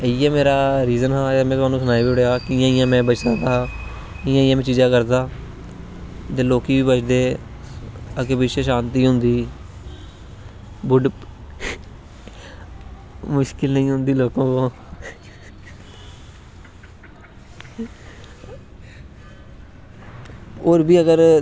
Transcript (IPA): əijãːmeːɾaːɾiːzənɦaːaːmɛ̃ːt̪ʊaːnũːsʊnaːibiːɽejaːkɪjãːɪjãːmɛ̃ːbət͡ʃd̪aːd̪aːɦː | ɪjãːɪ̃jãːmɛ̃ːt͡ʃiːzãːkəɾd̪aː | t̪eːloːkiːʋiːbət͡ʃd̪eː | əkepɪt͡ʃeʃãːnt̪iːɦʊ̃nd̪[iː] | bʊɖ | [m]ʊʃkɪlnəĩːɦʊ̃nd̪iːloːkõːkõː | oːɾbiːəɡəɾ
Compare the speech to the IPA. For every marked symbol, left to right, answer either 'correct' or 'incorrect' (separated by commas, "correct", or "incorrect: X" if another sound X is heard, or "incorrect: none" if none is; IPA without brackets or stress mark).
correct, correct